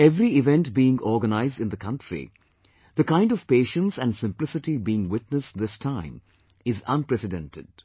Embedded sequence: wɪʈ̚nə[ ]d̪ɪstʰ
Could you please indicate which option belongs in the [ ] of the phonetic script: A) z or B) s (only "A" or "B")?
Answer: B